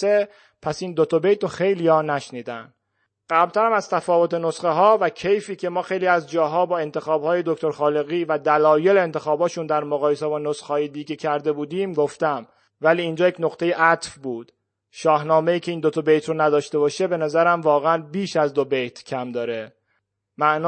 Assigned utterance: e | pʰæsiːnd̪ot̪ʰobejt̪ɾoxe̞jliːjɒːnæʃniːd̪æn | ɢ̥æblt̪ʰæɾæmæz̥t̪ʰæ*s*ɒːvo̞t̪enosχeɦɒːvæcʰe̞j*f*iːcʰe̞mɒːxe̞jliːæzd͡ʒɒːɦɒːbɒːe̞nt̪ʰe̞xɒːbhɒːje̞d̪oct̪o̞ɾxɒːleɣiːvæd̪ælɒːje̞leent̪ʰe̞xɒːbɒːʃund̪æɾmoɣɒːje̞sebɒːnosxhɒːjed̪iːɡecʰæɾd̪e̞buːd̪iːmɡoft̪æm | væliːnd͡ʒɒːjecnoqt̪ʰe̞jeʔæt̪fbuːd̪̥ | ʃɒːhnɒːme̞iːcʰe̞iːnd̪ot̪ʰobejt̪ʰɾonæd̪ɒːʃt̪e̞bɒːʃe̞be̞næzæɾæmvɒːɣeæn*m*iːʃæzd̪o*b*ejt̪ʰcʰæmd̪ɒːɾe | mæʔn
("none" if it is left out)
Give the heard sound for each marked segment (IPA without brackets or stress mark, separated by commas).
f, f, b, b